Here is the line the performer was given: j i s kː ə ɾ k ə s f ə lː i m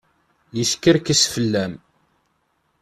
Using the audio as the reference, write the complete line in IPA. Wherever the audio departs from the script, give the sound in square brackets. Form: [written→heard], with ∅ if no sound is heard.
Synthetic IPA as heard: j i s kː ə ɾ k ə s f ə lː [i→æ] m